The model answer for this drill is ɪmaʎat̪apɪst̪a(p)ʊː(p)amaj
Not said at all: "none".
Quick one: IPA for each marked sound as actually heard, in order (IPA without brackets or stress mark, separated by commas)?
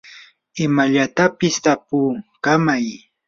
p, k